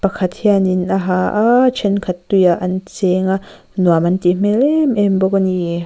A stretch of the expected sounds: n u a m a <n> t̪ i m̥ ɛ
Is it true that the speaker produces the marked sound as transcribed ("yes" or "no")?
yes